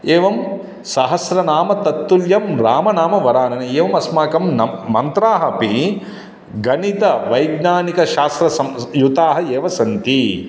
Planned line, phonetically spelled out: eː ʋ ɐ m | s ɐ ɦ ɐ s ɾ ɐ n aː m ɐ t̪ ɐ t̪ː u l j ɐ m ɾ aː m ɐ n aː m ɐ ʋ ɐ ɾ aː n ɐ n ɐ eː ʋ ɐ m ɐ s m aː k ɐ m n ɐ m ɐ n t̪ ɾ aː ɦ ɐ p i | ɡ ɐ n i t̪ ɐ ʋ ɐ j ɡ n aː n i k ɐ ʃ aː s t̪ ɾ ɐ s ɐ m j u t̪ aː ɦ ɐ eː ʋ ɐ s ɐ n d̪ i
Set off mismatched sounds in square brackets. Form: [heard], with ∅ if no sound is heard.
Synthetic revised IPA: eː ʋ ɐ m | s ɐ ɦ ɐ s ɾ ɐ n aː m ɐ t̪ ɐ t̪ː u l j ɐ m ɾ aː m ɐ n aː m ɐ ʋ ɐ ɾ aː n ɐ n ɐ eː ʋ ɐ m ɐ s m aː k ɐ m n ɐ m ɐ n t̪ ɾ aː ɦ ɐ p i | ɡ ɐ n i t̪ ɐ ʋ ɐ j ɡ n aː n i k ɐ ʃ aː s t̪ ɾ ɐ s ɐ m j u t̪ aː ɦ ɐ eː ʋ ɐ s ɐ n [t̪] i